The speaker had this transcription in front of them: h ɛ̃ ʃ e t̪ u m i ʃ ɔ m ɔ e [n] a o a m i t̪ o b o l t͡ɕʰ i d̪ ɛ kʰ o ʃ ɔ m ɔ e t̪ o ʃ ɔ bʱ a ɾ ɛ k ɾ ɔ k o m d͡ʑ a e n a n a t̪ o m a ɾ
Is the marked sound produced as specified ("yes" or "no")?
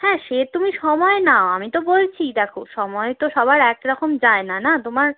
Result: yes